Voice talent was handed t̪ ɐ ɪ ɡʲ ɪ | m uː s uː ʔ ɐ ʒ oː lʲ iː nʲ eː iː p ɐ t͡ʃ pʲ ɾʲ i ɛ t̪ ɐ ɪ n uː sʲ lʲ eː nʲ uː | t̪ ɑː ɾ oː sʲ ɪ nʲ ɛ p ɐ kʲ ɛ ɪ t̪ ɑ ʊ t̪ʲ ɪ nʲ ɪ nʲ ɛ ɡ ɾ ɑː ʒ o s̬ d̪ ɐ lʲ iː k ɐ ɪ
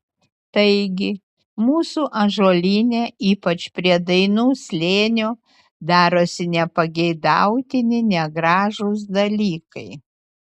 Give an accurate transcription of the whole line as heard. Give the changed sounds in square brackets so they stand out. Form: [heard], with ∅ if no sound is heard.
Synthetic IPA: t̪ ɐ ɪ ɡʲ ɪ | m uː s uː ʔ ɐ ʒ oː lʲ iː nʲ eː iː p ɐ t͡ʃ pʲ ɾʲ i ɛ [d̪] ɐ ɪ n uː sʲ lʲ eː nʲ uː | [d̪] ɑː ɾ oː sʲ ɪ nʲ ɛ p ɐ [ɡʲ] ɛ ɪ [d̪] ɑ ʊ t̪ʲ ɪ nʲ ɪ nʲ ɛ ɡ ɾ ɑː ʒ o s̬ d̪ ɐ lʲ iː k ɐ ɪ